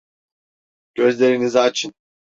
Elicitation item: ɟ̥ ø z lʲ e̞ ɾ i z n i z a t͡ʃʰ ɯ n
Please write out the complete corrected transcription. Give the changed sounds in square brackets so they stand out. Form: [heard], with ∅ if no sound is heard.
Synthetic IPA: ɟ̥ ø z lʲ e̞ ɾ i [∅] n i z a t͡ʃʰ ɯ n

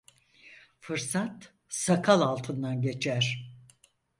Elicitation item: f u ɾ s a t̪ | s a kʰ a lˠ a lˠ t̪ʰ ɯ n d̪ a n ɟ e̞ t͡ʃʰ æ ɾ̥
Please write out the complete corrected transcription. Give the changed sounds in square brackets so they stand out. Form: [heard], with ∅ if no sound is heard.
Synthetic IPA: f [ɯ] ɾ s a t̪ | s a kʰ a lˠ a lˠ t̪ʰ ɯ n d̪ a n ɟ e̞ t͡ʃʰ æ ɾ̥

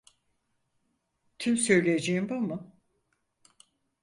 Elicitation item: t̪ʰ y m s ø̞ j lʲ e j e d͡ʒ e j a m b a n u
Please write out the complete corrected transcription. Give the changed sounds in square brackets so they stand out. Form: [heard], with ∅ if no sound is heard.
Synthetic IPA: t̪ʰ y m s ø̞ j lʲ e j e d͡ʒ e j [i] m b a [m] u

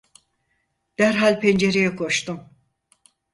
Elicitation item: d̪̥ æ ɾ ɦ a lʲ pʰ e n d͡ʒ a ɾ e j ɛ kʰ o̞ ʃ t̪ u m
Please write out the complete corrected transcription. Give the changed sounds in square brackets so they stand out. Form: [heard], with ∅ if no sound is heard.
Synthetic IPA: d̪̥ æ ɾ ɦ a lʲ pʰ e n d͡ʒ [e] ɾ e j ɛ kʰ o̞ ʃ t̪ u m

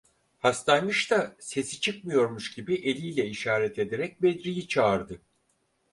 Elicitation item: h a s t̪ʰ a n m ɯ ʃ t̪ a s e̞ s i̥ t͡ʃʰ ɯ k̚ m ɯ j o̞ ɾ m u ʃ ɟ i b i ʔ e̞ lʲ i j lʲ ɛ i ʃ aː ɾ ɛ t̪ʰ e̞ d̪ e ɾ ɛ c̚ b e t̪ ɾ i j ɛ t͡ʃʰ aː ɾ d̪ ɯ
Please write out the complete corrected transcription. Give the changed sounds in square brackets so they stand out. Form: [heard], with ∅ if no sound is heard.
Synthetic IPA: h a s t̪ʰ a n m ɯ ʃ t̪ a s e̞ s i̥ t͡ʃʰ ɯ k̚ m ɯ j o̞ ɾ m u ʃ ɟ i b i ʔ e̞ lʲ i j lʲ ɛ i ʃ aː ɾ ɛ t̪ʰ e̞ d̪ e ɾ ɛ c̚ b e [d̪] ɾ i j [i] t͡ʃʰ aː ɾ d̪ ɯ

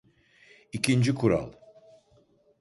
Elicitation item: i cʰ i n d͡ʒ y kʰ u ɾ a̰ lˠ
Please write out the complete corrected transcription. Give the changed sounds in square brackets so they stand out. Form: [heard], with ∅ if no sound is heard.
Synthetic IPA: i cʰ i n d͡ʒ [i] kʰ u ɾ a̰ lˠ

